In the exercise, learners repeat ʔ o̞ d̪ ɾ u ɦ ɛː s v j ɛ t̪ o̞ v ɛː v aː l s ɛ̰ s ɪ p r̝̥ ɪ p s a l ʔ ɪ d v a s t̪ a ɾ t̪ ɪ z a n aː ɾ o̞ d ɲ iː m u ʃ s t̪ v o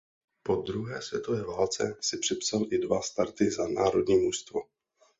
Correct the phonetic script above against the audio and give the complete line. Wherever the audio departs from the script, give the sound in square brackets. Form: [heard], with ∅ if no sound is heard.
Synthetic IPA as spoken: [p] o̞ d̪ ɾ u ɦ ɛː s v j ɛ t̪ o̞ v ɛː v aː l [t͡s] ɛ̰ s ɪ p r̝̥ ɪ p s a l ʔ ɪ d v a s t̪ a ɾ t̪ ɪ z a n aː ɾ o̞ d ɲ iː m u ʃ s t̪ v o